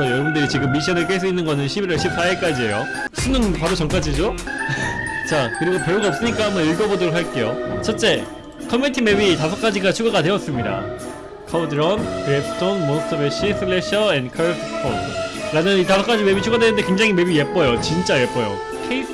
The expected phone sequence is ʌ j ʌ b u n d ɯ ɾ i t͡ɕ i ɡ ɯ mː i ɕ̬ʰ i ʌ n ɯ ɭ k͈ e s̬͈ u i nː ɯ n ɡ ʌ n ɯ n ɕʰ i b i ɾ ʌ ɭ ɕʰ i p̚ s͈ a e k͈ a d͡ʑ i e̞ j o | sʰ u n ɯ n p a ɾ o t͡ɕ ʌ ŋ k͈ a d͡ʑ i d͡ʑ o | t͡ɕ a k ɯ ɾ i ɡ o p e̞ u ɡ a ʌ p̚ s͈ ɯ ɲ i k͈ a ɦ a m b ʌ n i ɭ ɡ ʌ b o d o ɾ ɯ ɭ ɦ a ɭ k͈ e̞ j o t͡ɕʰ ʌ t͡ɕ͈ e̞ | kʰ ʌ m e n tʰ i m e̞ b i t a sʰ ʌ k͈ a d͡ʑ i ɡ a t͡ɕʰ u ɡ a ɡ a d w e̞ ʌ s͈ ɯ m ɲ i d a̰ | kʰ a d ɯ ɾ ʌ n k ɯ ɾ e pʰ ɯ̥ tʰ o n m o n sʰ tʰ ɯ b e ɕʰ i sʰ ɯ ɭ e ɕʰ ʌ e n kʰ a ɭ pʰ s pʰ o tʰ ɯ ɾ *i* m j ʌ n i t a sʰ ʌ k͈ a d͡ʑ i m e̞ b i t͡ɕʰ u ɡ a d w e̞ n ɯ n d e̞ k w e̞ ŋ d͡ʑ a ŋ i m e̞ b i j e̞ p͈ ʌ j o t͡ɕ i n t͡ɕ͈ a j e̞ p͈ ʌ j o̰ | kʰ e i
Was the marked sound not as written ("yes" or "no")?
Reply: yes